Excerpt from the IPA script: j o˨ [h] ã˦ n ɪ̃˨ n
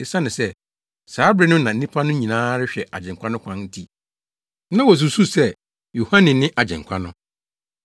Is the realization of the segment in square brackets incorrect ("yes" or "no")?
no